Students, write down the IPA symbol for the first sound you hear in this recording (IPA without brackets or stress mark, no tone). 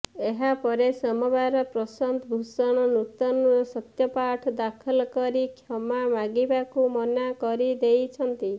e